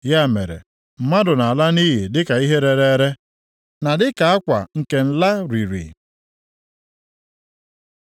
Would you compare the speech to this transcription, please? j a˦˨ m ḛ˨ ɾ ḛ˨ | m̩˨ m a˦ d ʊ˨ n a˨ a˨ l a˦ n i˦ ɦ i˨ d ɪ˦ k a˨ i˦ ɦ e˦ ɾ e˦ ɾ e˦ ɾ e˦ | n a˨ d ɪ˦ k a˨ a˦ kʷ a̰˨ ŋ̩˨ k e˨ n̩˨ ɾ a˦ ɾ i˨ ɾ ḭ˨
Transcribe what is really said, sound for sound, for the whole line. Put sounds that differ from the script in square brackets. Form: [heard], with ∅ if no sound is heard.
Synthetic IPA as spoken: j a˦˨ m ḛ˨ ɾ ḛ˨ | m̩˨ m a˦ d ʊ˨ n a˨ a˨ l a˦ n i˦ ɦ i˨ d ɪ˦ k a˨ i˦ ɦ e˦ ɾ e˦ ɾ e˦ ɾ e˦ | n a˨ d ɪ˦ k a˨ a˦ kʷ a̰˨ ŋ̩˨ k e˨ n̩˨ [l] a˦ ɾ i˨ ɾ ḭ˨